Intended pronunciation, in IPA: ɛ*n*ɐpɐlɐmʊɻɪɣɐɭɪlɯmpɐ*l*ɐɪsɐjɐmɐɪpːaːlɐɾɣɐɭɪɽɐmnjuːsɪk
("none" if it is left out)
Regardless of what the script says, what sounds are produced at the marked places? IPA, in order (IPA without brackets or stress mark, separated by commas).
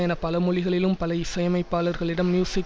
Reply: n, l